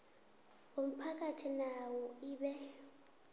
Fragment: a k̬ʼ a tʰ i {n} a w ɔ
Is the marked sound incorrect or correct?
correct